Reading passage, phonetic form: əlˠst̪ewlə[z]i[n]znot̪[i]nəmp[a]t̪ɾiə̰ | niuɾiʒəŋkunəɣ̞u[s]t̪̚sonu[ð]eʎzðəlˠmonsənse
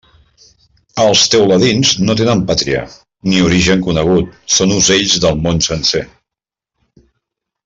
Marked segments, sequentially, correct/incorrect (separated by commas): incorrect, correct, incorrect, correct, incorrect, incorrect